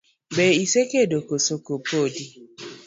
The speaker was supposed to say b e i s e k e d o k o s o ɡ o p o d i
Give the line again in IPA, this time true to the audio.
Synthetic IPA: b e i s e k e d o k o s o k o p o d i